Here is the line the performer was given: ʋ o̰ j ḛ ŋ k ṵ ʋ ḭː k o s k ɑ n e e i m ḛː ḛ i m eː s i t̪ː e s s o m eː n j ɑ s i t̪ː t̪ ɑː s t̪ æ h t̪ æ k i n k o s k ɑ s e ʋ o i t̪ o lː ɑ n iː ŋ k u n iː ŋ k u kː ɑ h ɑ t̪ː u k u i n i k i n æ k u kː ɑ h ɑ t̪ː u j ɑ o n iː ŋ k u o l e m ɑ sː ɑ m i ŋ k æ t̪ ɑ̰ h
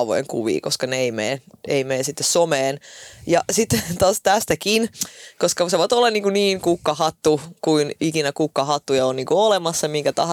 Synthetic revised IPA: ʋ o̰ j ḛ ŋ k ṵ ʋ ḭː k o s k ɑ n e e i m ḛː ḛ i m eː s i t̪ː e s s o m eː n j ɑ s i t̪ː t̪ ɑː s t̪ æ s t̪ æ k i n k o s k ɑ s e ʋ o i t̪ o lː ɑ n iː ŋ k u n iː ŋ k u kː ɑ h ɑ t̪ː u k u i n i k i n æ k u kː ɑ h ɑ t̪ː u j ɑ o n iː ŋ k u o l e m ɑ sː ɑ m i ŋ k æ t̪ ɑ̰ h